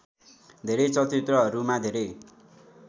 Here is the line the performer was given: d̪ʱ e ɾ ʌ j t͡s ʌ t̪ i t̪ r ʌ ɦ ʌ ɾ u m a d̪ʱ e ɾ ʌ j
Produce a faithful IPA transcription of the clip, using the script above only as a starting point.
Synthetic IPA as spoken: d̪ʱ e ɾ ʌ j t͡s ʌ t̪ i t̪ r ʌ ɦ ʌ ɾ u m a d̪ʱ e ɾ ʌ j